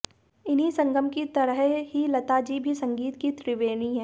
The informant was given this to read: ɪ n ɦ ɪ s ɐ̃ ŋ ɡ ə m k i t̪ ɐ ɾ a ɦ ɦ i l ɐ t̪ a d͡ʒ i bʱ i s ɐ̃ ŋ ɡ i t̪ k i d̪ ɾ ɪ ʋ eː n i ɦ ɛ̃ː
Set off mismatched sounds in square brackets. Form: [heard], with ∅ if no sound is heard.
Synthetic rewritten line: ɪ n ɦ [i] s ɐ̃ ŋ ɡ ə m k i t̪ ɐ ɾ [ə] ɦ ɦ i l ɐ t̪ a d͡ʒ i bʱ i s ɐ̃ ŋ ɡ [iː] t̪ k i [t̪] ɾ ɪ ʋ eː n i ɦ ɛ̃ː